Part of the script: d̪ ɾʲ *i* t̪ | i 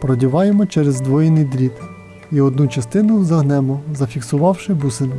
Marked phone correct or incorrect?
correct